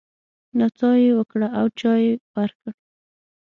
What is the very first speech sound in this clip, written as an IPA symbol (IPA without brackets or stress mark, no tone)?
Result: n